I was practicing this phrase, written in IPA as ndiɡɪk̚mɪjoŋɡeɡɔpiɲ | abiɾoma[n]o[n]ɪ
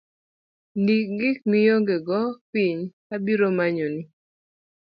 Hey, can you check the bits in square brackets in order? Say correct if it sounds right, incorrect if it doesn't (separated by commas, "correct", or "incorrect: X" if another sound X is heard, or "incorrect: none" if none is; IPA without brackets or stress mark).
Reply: incorrect: ɲ, correct